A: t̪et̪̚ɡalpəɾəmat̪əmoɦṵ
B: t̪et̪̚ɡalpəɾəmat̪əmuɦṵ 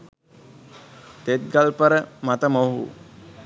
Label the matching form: A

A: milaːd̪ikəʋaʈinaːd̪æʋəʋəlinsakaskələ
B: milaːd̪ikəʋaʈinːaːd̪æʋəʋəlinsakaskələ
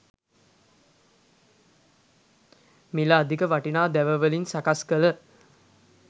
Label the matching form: A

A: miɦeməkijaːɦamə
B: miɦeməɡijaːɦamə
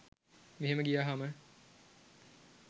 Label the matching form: B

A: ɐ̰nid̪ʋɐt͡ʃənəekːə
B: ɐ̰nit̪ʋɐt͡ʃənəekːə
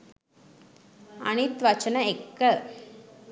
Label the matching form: B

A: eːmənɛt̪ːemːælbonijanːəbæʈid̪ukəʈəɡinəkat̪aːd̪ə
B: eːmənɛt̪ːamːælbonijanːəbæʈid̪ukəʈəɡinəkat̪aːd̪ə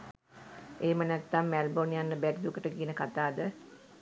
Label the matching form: B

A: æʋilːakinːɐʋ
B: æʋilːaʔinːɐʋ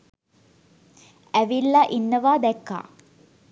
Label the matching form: B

